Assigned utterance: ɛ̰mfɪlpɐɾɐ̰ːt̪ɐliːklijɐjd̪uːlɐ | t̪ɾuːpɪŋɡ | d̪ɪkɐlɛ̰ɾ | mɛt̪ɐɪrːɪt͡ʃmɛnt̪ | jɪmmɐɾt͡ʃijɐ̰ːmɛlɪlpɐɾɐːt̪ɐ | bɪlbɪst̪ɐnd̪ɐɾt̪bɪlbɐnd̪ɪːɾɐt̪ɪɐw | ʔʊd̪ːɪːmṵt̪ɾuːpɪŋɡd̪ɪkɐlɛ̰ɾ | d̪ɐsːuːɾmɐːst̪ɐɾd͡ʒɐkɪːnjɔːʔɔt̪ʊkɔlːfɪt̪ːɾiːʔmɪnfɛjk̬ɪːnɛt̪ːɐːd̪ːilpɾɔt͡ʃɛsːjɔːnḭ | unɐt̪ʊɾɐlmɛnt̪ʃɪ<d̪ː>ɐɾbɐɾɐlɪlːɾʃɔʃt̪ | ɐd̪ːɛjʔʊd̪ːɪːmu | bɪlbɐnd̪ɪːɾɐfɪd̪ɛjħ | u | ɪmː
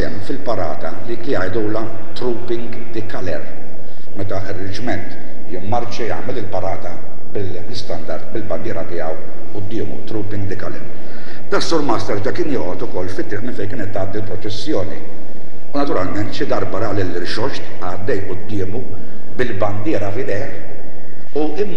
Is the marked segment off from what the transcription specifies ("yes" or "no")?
yes